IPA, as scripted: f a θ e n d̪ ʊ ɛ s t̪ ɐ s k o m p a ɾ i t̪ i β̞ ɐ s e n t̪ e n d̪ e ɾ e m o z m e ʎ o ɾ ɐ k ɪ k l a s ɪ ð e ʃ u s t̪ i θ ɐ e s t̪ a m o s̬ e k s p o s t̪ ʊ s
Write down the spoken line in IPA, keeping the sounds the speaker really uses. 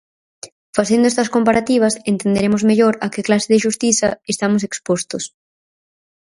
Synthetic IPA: f a θ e n d̪ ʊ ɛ s t̪ ɐ s k o m p a ɾ a t̪ i β̞ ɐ s e n t̪ e n d̪ e ɾ e m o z m e ʎ o ɾ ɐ k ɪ k l a s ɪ ð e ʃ u s t̪ i θ ɐ e s t̪ a m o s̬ e k s p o s t̪ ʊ s